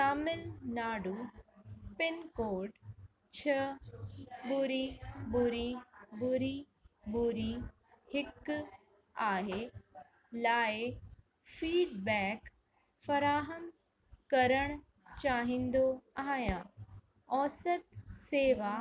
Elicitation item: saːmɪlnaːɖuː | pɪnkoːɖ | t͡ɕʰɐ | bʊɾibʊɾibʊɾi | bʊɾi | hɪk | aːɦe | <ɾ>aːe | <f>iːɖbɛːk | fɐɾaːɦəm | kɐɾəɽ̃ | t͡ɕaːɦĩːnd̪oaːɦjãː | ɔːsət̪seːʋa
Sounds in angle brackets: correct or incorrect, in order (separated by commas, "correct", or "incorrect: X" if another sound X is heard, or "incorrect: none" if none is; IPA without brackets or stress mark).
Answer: incorrect: l, correct